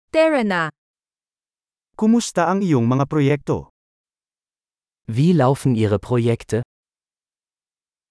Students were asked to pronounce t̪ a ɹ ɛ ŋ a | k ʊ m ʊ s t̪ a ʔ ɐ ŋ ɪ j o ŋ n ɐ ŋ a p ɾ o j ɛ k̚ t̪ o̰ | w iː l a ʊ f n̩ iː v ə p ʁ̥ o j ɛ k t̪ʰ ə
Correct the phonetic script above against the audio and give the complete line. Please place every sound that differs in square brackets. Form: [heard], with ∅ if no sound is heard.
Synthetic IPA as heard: t̪ [ɛ] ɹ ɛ [n] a | k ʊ m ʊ s t̪ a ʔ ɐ ŋ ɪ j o ŋ [m] ɐ ŋ a p ɾ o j ɛ k̚ t̪ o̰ | [v] iː l a ʊ f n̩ iː [ʁ] ə p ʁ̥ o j ɛ k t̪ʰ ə